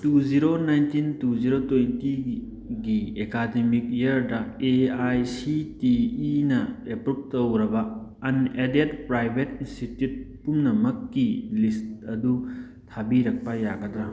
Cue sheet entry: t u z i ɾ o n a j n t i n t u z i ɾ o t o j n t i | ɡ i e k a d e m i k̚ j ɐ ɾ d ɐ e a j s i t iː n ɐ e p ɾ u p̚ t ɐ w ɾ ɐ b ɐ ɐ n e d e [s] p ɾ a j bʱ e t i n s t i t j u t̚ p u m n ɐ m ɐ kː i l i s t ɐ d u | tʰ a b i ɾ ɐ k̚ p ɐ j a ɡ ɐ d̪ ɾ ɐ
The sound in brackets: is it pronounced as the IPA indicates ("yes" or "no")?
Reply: no